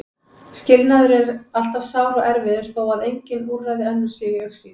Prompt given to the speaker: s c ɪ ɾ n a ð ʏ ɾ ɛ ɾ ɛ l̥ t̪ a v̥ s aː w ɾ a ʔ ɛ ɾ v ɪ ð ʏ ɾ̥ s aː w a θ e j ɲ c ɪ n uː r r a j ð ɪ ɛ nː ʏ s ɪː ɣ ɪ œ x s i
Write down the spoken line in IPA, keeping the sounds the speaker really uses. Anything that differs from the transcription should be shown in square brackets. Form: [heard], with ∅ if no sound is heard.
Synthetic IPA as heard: s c ɪ [l] n a ð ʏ ɾ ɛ ɾ [a] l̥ t̪ a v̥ s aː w ɾ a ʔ ɛ ɾ v ɪ ð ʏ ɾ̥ [θ] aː w a [ð] e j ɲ c ɪ n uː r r a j ð ɪ ɛ nː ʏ s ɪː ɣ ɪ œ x s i